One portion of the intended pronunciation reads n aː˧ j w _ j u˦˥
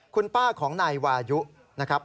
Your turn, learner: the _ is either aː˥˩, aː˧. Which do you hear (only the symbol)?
aː˧